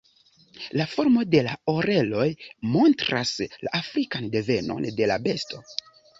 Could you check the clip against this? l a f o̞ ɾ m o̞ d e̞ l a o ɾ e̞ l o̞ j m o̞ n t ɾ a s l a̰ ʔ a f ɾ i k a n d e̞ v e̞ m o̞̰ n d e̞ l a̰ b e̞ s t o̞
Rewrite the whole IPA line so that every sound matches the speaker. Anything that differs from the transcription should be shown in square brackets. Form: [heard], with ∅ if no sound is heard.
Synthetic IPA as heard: l a f o̞ ɾ m o̞ d e̞ l a o ɾ e̞ l o̞ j m o̞ n t ɾ a s l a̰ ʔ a f ɾ i k a n d e̞ v e̞ [n] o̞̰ n d e̞ l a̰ b e̞ s t o̞

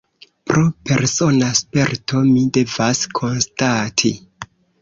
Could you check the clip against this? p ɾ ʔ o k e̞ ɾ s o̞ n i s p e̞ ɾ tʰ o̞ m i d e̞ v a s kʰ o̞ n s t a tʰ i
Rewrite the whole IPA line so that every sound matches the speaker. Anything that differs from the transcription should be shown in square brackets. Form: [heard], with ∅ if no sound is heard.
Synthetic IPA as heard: p ɾ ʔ o [p] e̞ ɾ s o̞ n [a] s p e̞ ɾ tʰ o̞ m i d e̞ v a s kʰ o̞ n s t a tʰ i

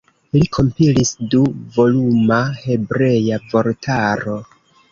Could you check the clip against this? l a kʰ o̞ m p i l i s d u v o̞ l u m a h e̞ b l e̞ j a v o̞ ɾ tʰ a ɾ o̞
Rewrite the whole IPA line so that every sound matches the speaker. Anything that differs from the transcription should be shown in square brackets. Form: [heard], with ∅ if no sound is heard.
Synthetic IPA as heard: l [i] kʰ o̞ m p i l i s d u v o̞ l u m a h e̞ b [ɾ] e̞ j a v o̞ ɾ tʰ a ɾ o̞

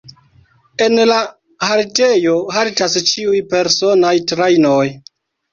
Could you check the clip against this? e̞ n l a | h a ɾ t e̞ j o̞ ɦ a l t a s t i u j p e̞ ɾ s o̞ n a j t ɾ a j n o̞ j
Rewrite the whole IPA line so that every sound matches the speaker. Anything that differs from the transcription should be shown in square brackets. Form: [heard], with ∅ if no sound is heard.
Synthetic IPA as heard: e̞ n l a | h a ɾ t e̞ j o̞ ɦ a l t a s [t͡ʃ] i u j p e̞ ɾ s o̞ n a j t ɾ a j n o̞ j

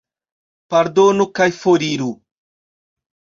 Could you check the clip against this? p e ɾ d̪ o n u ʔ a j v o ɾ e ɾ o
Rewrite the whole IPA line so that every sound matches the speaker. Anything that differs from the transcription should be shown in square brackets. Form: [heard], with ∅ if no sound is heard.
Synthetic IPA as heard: p [a] ɾ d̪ o n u [k] a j [f] o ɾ [i] ɾ [u]

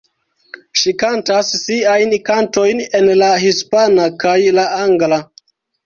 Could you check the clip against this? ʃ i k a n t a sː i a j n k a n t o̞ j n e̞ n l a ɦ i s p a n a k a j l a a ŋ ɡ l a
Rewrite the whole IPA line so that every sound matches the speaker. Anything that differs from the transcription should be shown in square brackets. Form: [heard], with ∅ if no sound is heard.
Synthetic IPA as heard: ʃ i k a n t a sː i a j n k a n t o̞ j n e̞ n l a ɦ i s p a n a k a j l a a ŋ ɡ l a

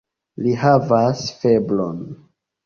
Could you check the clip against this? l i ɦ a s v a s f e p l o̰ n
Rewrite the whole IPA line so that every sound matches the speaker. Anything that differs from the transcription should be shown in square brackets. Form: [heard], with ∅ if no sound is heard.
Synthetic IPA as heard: l i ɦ a [∅] v a s f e [b] l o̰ n

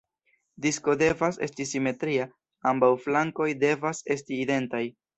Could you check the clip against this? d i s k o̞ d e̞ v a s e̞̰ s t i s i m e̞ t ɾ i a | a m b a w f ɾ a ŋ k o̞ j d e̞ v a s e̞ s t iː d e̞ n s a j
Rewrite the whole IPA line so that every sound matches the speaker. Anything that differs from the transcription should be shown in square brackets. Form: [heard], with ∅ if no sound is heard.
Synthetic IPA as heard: d i s k o̞ d e̞ v a s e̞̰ s t i s i m e̞ t ɾ i a | a m b a w f [l] a ŋ k o̞ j d e̞ v a s e̞ s t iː d e̞ n [t] a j

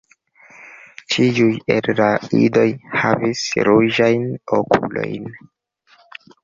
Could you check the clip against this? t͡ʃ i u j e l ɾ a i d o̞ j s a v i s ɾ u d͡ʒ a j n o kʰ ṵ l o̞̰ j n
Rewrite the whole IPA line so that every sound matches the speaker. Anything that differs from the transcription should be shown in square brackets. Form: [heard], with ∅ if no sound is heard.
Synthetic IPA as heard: t͡ʃ i u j e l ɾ a i d o̞ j [h] a v i s ɾ u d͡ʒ a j n o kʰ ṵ l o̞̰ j n

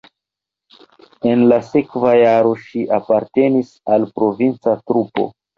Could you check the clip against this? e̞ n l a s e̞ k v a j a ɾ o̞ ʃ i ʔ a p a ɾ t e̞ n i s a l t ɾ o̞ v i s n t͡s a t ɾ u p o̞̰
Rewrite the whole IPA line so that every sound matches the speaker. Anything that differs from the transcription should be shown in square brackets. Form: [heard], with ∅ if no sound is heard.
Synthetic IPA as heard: e̞ n l a s e̞ k v a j a ɾ o̞ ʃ i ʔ a p a ɾ t e̞ n i s a l [p] ɾ o̞ v i [∅] n t͡s a t ɾ u p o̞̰

